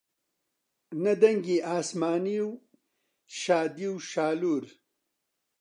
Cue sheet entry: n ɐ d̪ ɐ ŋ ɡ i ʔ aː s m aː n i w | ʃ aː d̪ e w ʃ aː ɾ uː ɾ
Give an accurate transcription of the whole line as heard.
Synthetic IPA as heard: n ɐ d̪ ɐ ŋ ɡ i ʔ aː s m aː n i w | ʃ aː d̪ i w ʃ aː l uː ɾ